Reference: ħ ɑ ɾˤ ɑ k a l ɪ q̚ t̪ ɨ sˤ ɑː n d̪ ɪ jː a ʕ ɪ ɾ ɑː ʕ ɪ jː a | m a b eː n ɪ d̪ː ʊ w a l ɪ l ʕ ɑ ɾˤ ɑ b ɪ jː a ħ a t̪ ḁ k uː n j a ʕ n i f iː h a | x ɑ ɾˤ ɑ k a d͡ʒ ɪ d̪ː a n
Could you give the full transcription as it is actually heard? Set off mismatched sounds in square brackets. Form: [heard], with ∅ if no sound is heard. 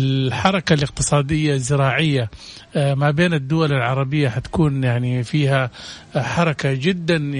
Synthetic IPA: ħ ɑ ɾˤ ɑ k a l ɪ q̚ t̪ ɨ sˤ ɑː [∅] d̪ ɪ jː a [z] ɪ ɾ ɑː ʕ ɪ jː a | m a b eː n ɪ d̪ː ʊ w a l ɪ l ʕ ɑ ɾˤ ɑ b ɪ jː a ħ a t̪ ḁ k uː n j a ʕ n i f iː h a | [ħ] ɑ ɾˤ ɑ k a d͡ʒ ɪ d̪ː a n